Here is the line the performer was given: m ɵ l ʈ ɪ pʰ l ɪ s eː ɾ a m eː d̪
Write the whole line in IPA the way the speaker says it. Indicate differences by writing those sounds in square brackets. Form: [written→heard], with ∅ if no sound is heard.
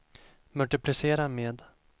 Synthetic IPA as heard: m ɵ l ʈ ɪ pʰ l ɪ s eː ɾ a m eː d̪